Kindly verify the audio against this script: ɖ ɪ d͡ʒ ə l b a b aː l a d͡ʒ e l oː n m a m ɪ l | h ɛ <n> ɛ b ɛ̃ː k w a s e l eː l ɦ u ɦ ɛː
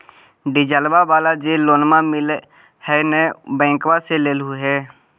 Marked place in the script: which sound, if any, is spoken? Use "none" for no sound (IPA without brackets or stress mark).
n